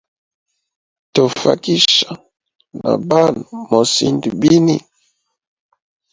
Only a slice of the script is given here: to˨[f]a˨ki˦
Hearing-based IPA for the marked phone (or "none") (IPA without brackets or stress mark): f